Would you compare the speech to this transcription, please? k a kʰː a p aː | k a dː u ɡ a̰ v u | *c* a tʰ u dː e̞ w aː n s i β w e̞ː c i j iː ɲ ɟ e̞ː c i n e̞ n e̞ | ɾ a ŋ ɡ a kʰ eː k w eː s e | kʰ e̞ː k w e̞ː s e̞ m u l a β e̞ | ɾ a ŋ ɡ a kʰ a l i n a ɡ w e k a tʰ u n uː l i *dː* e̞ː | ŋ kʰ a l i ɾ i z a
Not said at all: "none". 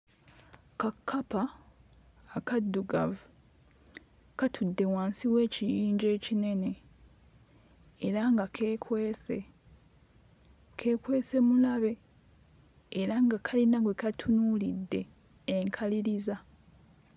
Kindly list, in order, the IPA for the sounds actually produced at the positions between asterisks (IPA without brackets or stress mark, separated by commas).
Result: k, dː